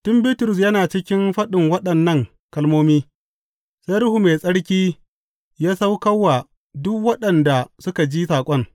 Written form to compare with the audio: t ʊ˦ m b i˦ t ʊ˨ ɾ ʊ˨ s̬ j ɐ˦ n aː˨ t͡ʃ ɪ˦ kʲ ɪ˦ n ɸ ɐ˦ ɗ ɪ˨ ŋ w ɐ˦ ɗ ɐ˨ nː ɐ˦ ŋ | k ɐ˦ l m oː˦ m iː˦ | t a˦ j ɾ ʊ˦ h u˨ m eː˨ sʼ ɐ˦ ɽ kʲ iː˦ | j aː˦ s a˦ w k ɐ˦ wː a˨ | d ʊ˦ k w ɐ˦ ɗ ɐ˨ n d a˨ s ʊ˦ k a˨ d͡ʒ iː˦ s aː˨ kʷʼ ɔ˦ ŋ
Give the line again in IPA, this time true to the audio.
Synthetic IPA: t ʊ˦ m b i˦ t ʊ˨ ɾ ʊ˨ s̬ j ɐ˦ n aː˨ t͡ʃ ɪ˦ kʲ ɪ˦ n ɸ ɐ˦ ɗ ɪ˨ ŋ w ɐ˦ ɗ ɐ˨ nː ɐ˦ ŋ | k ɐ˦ l m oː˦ m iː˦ | s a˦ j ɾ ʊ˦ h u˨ m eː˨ sʼ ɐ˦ ɽ kʲ iː˦ | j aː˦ s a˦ w k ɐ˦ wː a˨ | d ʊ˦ k w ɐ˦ ɗ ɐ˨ n d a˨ s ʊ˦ k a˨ d͡ʒ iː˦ s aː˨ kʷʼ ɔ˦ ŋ